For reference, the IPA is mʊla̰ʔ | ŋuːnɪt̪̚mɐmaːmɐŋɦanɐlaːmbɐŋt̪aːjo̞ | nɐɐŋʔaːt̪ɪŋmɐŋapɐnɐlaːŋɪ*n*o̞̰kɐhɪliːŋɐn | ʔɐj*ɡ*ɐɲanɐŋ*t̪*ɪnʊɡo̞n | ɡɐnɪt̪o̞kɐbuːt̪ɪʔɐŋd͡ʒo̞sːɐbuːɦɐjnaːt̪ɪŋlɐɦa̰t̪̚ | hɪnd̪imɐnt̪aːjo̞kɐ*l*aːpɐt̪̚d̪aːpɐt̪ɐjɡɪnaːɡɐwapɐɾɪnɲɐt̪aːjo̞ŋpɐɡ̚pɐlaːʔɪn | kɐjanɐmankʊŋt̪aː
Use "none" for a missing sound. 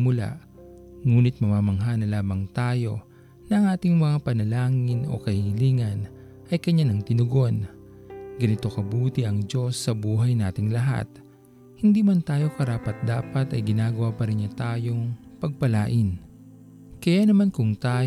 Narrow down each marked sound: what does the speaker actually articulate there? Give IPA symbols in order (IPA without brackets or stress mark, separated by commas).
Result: n, k, t̪, ɾ